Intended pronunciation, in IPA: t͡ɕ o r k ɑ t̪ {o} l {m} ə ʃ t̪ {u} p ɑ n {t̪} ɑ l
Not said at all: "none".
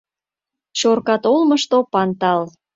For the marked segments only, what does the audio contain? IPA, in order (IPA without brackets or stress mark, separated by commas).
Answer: o, m, o, t̪